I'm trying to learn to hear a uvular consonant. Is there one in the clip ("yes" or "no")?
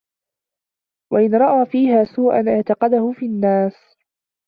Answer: yes